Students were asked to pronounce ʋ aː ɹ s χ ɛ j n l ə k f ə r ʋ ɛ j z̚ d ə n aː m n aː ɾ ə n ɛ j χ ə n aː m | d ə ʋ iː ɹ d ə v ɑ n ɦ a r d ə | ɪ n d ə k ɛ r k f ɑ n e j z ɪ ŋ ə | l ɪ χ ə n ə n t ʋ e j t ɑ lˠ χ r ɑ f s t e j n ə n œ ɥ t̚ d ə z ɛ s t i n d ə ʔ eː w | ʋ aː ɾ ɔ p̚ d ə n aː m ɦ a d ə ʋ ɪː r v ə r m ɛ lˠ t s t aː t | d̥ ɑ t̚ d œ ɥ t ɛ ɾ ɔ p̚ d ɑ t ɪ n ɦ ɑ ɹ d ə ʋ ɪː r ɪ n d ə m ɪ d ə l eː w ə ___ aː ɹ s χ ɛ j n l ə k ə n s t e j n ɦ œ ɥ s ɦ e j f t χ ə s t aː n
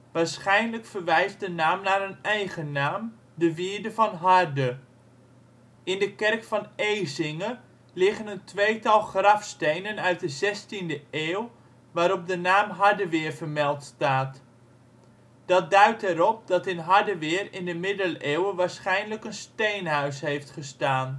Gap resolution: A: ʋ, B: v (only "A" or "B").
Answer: A